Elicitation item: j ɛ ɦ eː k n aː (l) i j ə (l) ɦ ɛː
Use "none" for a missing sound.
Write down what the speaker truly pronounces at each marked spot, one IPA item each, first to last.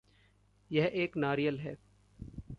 ɾ, l

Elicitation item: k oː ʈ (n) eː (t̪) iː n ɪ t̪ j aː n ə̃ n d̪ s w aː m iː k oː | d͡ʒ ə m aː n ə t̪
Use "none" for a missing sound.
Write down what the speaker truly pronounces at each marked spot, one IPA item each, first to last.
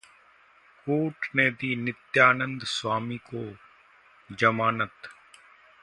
n, d̪

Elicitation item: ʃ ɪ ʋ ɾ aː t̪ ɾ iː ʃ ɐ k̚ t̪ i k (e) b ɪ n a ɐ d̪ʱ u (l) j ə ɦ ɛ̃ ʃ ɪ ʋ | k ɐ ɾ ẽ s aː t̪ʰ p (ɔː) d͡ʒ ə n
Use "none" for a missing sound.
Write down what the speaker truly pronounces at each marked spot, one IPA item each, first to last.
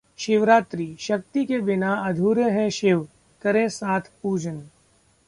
e, ɾ, uː

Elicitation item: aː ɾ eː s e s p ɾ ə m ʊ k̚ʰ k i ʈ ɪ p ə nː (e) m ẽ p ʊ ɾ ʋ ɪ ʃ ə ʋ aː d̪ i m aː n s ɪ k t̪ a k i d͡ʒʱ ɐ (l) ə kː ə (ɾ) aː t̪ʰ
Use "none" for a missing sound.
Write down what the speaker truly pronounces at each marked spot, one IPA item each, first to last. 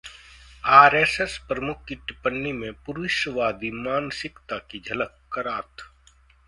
i, l, ɾ

